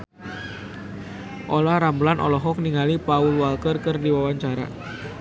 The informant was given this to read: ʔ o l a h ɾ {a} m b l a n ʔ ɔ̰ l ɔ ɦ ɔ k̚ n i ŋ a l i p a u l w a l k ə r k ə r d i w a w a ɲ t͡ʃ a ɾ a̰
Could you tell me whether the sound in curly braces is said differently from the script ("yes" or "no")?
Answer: no